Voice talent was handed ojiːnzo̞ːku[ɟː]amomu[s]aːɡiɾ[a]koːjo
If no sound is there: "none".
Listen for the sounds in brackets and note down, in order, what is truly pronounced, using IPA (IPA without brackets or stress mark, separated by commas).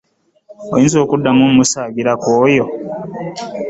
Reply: dː, s, a